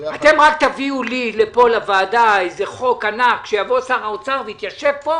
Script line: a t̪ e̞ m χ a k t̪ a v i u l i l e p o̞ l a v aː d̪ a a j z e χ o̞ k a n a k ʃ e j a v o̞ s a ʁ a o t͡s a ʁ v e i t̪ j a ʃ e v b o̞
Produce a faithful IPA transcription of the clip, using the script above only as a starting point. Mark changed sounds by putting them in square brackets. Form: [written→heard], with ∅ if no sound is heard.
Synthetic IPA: a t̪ e̞ m [χ→ʁ] a k t̪ a v i u l i l e p o̞ l a v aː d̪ a [a→e] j z e χ o̞ k a n a k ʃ e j a v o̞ s a ʁ a o t͡s a ʁ v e i t̪ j a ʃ e v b o̞